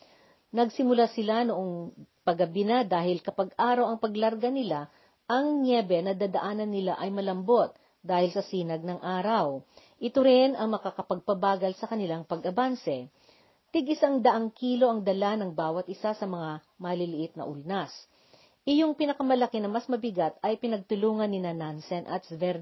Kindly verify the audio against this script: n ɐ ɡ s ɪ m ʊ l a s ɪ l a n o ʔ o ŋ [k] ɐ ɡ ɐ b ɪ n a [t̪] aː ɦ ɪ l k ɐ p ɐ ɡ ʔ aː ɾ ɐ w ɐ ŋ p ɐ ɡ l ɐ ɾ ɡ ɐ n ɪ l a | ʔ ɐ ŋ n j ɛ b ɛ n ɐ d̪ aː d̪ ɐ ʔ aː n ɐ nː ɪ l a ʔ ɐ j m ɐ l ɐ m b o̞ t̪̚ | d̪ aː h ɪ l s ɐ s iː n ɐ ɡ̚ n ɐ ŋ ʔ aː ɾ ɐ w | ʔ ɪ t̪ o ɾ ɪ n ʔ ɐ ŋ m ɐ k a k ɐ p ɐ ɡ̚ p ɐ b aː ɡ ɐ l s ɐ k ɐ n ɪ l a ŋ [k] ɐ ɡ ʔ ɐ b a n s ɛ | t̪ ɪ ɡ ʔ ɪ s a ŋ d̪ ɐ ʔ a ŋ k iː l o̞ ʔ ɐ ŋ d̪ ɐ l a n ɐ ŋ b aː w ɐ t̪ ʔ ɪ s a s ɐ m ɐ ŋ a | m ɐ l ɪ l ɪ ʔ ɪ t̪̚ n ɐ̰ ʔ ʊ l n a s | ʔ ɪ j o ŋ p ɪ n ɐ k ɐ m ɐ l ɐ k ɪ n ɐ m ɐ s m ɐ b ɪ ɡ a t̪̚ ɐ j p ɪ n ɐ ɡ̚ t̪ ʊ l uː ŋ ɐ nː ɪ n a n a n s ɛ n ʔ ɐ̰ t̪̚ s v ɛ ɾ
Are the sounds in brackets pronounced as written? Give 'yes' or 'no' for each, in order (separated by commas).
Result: no, no, no